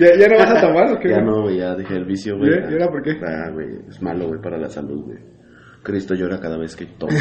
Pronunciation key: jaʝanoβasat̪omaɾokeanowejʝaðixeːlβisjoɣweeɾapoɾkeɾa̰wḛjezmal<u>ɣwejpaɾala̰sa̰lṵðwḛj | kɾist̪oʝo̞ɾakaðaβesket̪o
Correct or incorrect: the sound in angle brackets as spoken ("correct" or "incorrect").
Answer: incorrect